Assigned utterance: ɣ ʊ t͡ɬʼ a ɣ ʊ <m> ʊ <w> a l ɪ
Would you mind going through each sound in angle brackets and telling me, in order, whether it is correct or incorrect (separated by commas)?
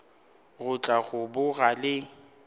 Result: incorrect, incorrect